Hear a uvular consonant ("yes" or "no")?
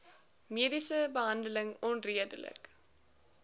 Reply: no